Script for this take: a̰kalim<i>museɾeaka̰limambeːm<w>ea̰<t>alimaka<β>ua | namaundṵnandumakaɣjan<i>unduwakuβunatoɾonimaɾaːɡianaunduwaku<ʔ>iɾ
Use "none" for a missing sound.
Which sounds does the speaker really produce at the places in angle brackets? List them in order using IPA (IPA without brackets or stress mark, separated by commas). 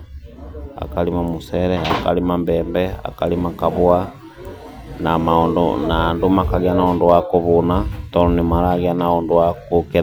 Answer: a, b, k, β, a, k